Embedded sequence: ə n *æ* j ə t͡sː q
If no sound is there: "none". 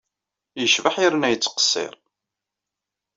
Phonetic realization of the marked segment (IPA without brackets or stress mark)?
æ